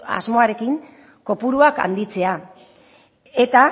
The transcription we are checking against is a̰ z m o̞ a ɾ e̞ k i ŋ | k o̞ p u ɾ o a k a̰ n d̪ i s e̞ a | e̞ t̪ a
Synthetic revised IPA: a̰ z m o̞ a ɾ e̞ k i ŋ | k o̞ p u ɾ u a k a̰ n d̪ i t͡s e̞ a | e̞ t̪ a